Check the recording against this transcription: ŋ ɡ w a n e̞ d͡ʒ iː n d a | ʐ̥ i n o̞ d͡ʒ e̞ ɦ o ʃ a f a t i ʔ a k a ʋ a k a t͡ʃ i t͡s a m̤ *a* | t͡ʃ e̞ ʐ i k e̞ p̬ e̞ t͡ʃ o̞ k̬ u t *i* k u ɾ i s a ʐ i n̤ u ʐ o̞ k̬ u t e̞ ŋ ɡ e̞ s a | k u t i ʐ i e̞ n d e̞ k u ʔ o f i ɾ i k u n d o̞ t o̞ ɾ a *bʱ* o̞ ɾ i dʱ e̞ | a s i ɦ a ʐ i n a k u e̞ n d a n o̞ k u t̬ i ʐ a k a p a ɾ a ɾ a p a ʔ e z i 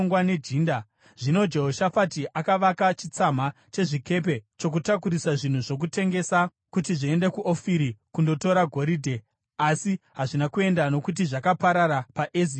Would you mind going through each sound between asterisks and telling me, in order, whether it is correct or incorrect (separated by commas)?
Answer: correct, incorrect, incorrect